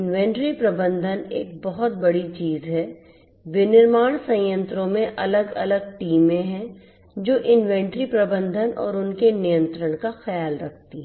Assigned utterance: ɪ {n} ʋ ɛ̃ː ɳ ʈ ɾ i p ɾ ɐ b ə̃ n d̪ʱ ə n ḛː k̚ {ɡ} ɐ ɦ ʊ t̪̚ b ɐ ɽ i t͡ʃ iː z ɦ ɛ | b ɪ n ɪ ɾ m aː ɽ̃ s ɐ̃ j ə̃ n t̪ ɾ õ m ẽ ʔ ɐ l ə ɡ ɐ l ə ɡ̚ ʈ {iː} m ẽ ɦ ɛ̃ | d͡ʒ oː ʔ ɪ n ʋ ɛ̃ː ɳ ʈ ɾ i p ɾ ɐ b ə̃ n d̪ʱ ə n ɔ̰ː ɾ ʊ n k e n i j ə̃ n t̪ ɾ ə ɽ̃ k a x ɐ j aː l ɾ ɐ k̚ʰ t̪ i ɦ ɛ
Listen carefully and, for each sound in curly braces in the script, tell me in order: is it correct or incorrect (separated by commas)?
correct, incorrect, correct